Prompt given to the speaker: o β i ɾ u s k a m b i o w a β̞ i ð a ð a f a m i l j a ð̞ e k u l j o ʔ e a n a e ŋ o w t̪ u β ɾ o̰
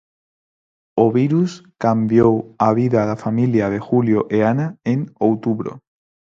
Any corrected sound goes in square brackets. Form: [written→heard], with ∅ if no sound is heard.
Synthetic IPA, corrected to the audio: o β i ɾ u s k a m b [i→j] o w a β̞ i ð a ð a f a m i l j a ð̞ e [k→x] u l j o ʔ e a n a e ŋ o w t̪ u β ɾ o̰